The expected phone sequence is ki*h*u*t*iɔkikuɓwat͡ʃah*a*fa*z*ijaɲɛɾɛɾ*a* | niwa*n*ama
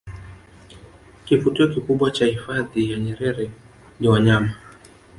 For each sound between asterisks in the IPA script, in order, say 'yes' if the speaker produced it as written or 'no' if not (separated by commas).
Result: no, yes, no, no, no, no